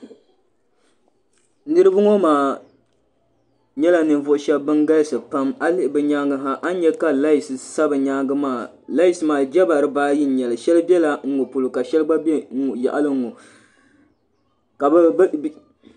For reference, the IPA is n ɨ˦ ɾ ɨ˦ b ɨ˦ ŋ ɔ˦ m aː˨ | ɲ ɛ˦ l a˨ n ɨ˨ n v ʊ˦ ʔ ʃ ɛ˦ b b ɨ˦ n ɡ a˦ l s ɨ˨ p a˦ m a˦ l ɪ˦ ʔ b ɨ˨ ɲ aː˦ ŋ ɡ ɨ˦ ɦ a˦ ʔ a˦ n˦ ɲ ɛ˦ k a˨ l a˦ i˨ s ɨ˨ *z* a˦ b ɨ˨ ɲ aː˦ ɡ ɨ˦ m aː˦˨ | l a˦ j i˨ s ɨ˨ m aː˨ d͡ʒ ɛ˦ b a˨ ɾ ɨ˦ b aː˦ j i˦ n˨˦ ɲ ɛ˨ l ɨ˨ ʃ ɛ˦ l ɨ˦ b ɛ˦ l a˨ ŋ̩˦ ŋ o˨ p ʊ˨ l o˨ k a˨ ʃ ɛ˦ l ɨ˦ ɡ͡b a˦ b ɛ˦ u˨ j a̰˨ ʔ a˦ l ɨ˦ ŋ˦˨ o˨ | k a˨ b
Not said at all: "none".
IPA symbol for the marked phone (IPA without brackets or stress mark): s